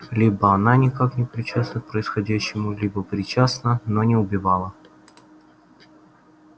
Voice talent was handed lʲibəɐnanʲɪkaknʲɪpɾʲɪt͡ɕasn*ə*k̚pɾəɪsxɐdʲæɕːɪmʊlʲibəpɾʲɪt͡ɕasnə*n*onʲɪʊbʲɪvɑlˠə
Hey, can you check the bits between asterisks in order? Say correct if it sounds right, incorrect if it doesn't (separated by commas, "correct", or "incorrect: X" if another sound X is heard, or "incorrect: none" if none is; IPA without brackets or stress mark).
correct, correct